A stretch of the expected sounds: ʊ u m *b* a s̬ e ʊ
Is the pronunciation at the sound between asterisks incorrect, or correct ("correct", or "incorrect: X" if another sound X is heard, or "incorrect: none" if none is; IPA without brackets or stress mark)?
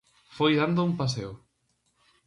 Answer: incorrect: p